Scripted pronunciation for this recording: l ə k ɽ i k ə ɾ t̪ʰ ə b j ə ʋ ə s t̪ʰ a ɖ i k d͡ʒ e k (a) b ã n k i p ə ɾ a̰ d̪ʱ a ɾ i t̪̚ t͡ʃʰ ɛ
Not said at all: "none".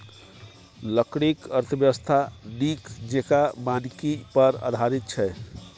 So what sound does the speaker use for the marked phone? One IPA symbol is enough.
a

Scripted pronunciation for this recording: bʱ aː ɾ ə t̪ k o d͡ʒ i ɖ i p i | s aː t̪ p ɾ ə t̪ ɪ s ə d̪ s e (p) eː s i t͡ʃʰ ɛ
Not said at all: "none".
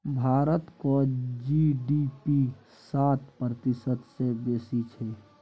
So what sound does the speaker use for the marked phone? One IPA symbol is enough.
b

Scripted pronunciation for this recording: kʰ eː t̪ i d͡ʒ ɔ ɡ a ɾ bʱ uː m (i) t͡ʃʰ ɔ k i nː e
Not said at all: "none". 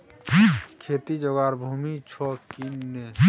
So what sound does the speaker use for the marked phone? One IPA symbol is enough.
i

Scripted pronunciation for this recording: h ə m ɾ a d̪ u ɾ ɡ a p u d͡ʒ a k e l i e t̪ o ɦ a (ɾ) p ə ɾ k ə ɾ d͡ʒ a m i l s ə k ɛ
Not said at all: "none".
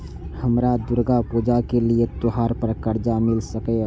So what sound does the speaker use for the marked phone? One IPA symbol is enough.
ɾ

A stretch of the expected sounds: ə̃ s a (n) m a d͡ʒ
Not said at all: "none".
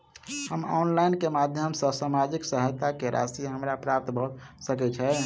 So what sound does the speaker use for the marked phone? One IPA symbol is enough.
none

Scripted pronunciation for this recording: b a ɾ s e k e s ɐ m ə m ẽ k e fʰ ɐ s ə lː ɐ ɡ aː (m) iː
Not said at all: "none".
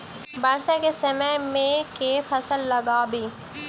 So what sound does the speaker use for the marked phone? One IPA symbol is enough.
b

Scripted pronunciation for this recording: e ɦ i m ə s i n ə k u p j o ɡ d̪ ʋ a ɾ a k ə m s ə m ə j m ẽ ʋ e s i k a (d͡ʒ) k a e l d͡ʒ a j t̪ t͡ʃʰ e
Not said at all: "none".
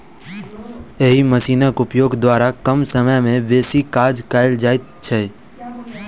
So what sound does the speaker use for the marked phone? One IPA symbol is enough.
d͡ʒ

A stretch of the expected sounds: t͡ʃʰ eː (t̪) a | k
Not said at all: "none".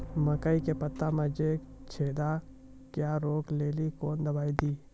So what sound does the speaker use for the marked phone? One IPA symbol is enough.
d̪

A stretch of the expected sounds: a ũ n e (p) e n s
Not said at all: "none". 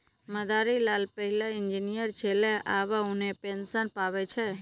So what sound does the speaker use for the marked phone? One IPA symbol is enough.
p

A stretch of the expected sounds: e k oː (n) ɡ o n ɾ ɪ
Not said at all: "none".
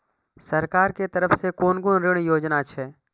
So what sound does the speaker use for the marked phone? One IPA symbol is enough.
n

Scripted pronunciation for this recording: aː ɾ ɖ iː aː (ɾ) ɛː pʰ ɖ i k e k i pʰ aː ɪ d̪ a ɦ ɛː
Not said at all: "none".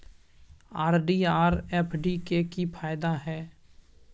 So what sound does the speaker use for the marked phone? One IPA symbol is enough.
ɾ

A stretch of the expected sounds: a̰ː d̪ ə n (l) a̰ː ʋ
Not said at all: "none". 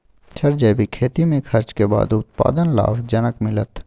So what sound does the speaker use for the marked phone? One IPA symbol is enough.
l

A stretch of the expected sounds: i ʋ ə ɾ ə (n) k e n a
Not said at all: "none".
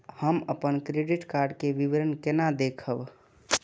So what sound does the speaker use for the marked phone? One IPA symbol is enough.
n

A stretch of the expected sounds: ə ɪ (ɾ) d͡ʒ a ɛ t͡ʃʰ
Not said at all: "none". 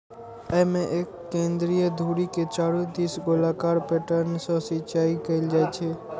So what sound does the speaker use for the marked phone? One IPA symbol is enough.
l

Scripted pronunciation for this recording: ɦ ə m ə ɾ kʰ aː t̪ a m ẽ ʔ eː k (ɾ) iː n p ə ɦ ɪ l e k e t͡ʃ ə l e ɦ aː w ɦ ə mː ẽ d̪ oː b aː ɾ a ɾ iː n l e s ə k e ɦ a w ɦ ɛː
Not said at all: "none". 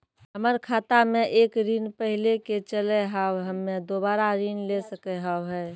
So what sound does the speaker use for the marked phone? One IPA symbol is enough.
ɾ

